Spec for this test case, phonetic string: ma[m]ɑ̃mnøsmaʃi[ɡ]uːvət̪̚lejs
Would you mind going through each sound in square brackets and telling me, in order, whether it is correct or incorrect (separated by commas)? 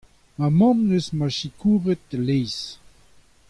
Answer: correct, incorrect